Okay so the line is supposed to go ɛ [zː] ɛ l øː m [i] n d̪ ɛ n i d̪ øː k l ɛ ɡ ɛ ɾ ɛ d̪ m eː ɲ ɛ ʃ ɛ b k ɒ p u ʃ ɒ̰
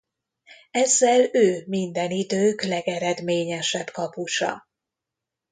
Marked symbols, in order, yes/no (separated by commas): yes, yes